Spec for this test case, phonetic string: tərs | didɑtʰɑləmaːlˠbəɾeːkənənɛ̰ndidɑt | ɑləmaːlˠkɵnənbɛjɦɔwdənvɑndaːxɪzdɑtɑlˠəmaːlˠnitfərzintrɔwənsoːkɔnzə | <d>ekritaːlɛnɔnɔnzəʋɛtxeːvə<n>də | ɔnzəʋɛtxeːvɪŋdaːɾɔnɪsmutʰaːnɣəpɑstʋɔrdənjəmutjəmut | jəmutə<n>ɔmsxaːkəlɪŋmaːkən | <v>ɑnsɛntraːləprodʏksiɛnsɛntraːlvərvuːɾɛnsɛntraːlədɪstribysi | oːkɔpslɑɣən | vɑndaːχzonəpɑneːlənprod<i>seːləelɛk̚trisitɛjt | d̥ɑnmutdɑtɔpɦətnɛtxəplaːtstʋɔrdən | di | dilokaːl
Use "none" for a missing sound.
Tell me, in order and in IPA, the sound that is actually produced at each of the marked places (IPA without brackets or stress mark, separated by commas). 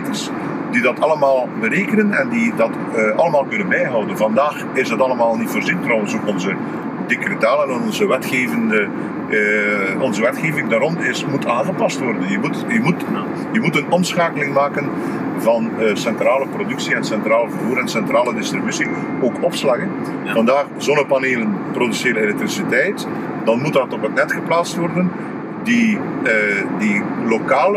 d, n, n, v, y